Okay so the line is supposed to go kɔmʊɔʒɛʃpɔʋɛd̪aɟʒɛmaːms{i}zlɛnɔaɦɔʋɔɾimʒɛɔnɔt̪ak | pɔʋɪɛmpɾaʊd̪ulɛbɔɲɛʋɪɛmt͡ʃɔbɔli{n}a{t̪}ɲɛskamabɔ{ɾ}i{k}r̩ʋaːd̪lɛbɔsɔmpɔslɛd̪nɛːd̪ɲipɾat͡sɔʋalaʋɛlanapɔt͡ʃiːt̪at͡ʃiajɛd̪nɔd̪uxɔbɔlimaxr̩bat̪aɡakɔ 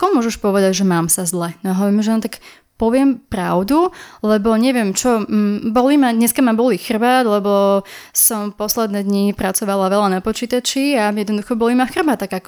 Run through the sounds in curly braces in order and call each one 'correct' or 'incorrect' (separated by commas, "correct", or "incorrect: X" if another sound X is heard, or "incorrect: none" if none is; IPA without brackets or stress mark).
incorrect: a, incorrect: m, incorrect: d̪, incorrect: l, incorrect: x